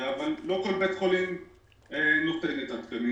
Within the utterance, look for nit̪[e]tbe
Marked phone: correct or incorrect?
incorrect